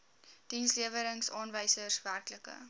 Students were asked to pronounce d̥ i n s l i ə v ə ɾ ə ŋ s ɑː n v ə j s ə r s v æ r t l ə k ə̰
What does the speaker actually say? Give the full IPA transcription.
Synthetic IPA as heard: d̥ i n s l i ə v ə ɾ ə ŋ s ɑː n v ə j s ə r s v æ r k l ə k ə̰